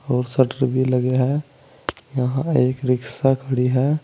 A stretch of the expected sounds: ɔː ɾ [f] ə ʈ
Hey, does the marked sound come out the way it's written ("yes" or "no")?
no